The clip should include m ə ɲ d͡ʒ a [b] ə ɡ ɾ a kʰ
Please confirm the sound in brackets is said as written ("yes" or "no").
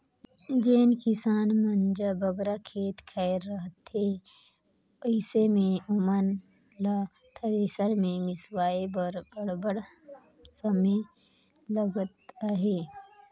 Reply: yes